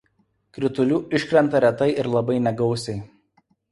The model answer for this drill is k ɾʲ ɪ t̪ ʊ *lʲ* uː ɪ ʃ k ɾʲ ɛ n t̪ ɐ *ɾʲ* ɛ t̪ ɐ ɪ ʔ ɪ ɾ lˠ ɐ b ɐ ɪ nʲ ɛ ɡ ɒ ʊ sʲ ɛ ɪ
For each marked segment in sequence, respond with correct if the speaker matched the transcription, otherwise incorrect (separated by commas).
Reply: correct, correct